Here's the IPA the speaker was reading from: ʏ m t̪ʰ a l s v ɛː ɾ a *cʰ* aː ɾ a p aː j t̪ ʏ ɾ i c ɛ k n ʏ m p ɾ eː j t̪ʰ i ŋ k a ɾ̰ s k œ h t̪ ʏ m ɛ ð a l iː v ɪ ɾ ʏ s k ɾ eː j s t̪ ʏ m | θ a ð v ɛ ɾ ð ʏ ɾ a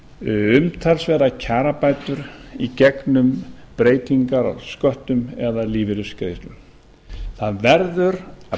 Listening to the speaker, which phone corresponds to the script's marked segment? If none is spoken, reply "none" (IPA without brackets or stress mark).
cʰ